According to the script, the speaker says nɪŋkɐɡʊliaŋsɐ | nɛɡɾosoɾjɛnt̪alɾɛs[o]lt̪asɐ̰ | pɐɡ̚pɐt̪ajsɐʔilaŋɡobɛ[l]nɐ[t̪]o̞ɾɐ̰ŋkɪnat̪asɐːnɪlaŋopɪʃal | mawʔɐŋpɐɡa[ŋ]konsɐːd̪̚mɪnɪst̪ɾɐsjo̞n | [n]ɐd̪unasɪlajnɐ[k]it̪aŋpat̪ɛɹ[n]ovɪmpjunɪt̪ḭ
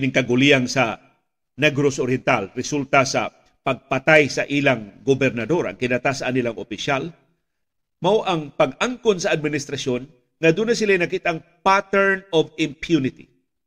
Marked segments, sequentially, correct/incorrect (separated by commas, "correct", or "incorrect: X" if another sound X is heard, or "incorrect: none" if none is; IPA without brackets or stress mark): incorrect: u, incorrect: ɾ, incorrect: d̪, correct, incorrect: ŋ, correct, correct